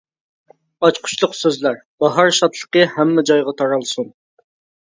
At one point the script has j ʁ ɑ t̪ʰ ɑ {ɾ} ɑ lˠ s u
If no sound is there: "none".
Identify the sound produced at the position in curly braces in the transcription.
ɾ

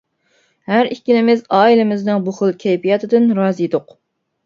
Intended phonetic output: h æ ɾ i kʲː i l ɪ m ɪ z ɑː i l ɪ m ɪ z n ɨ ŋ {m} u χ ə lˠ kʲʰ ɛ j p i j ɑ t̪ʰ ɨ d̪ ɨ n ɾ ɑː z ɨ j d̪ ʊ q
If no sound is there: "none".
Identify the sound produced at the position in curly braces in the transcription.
b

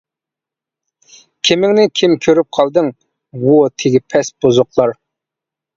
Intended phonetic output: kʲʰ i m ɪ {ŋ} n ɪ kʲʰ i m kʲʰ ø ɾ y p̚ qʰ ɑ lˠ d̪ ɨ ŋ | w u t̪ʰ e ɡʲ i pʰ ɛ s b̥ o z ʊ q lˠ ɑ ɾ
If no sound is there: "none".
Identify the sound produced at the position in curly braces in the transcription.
ŋ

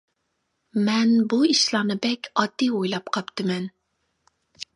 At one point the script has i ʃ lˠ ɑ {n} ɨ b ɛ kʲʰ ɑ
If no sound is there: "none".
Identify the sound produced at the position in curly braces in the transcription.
n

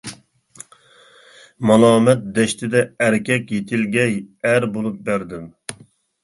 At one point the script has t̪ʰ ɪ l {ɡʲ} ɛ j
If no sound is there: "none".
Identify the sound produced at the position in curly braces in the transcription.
ɡʲ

